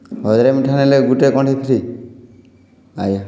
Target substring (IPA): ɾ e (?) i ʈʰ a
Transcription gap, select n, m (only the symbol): m